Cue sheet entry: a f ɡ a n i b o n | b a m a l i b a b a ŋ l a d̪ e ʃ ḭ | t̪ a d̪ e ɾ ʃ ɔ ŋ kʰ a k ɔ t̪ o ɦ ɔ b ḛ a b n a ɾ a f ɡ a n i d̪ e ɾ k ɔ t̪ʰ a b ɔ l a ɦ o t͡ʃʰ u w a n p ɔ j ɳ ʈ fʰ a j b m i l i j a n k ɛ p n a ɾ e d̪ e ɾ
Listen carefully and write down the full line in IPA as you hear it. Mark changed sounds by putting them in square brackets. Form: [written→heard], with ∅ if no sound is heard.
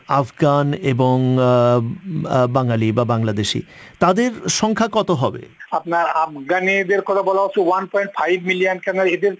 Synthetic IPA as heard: a f ɡ a n [i→e] b o [n→ŋ] | b a [m→ŋ] a l i b a b a ŋ l a d̪ e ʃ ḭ | t̪ a d̪ e ɾ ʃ ɔ ŋ kʰ a k ɔ t̪ o ɦ ɔ b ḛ a [b→p] n a ɾ a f ɡ a n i d̪ e ɾ k ɔ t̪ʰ a b ɔ l a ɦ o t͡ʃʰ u w a n p ɔ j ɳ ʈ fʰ a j b m i l i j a n k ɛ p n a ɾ e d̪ e ɾ